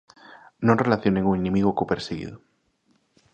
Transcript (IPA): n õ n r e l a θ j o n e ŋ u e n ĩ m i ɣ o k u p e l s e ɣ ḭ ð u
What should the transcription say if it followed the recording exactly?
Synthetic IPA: n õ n r e l a θ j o n e ŋ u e n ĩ m i ɣ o k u p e ɾ s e ɣ ḭ ð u